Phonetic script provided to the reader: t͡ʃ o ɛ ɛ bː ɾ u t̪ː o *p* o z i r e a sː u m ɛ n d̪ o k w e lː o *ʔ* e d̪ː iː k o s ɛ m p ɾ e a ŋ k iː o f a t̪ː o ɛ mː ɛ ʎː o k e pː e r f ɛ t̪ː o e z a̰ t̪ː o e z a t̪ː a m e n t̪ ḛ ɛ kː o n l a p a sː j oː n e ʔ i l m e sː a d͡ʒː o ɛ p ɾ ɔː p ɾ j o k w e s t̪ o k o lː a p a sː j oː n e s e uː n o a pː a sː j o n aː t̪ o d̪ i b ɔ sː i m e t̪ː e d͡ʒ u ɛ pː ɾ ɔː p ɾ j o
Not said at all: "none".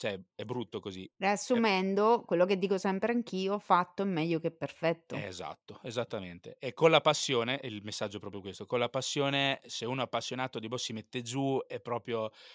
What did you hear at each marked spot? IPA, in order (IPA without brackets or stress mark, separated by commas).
k, k